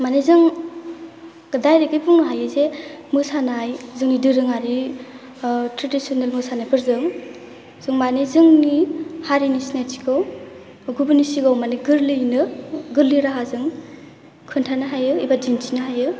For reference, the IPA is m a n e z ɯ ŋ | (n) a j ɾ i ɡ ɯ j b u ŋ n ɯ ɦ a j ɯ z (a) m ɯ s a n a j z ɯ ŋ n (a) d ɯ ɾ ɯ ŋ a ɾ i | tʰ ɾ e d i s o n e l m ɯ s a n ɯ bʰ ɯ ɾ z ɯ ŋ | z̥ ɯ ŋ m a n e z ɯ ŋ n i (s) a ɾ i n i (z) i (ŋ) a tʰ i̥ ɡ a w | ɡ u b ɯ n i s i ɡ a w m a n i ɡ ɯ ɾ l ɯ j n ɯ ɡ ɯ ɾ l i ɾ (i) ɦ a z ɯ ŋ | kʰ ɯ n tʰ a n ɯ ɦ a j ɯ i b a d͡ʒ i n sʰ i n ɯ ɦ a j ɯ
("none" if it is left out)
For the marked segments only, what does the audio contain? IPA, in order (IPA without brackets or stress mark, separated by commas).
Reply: d, e, i, h, s, n, a